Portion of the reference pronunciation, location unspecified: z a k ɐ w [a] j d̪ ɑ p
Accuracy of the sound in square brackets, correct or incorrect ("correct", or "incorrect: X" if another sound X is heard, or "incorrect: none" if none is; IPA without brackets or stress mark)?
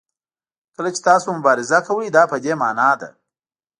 incorrect: ə